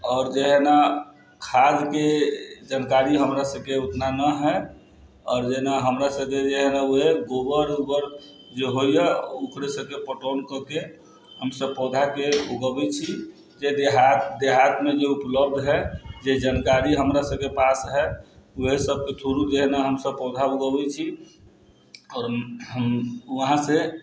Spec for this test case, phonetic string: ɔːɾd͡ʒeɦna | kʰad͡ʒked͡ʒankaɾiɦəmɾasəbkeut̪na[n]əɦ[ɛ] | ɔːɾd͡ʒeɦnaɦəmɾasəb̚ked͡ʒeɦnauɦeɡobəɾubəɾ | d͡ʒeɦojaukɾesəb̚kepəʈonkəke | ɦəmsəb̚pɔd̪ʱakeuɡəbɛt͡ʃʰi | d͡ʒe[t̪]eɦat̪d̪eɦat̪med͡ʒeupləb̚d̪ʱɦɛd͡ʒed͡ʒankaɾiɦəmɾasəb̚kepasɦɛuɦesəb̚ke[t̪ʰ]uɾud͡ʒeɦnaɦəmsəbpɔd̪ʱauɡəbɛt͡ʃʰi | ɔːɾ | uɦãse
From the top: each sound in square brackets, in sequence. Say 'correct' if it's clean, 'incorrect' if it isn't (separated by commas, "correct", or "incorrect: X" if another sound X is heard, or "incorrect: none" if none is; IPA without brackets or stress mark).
correct, correct, incorrect: d̪, correct